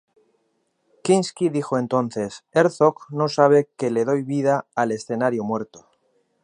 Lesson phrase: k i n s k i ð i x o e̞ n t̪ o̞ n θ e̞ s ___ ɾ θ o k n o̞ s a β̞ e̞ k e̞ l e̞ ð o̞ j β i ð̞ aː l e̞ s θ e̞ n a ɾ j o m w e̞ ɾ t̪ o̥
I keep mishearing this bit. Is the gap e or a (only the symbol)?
e